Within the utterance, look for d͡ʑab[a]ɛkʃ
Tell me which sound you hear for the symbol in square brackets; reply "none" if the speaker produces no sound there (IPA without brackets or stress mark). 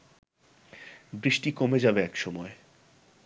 e